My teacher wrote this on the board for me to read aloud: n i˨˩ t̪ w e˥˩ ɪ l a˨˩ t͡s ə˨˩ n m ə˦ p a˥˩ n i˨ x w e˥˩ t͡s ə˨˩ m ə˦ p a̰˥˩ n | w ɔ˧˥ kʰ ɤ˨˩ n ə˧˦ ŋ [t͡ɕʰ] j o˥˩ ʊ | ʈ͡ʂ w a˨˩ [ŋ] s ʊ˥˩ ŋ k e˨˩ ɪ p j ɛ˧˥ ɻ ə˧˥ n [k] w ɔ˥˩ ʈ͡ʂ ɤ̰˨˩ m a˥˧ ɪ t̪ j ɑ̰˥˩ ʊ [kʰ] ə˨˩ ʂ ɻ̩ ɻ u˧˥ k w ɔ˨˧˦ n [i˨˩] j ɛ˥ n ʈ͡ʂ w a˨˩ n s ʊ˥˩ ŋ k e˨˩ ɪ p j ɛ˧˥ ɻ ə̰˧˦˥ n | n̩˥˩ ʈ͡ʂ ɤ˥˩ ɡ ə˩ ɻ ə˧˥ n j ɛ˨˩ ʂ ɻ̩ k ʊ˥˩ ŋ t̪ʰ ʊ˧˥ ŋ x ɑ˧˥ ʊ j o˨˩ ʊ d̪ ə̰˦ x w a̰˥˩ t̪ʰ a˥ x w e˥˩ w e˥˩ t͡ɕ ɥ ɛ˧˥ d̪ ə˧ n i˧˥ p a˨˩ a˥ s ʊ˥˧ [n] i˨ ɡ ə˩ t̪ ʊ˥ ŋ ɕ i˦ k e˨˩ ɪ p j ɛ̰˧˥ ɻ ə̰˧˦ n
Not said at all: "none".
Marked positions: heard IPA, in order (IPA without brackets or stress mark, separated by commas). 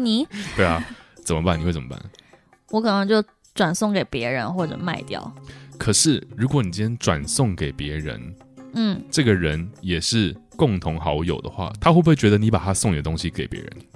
t͡ɕ, n, x, kʰ, i˨˩, ŋ